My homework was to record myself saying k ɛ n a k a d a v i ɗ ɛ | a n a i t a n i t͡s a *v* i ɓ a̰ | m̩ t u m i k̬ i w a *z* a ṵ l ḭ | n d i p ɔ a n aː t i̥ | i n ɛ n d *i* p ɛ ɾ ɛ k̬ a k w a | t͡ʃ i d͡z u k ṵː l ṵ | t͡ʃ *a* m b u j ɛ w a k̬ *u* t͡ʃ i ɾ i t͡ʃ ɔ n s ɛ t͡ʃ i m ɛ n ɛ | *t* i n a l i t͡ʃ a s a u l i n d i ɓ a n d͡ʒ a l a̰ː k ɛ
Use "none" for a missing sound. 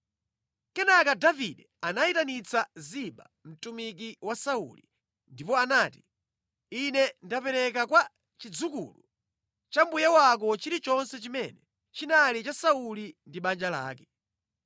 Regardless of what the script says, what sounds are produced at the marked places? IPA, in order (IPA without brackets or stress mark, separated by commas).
z, s, a, a, ɔ, t͡ʃ